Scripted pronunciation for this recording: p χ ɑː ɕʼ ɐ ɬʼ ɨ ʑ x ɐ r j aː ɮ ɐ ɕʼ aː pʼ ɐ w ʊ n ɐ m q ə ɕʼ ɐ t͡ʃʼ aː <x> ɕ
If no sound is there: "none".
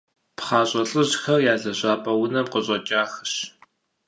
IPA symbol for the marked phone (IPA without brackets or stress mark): x